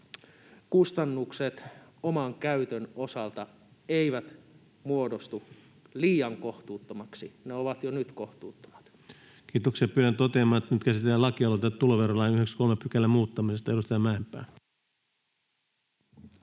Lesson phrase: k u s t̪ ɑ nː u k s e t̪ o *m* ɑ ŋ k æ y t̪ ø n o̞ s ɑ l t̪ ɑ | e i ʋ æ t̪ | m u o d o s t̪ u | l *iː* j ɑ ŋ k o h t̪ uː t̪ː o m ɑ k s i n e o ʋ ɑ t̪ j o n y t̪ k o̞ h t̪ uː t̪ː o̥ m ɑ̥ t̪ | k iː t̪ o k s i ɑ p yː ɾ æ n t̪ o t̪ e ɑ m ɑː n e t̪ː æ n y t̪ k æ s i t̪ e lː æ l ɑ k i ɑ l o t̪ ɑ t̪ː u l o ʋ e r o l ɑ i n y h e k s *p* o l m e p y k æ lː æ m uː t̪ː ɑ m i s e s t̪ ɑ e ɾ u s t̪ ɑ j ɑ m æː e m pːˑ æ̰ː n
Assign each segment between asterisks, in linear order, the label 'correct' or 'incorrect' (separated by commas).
correct, correct, incorrect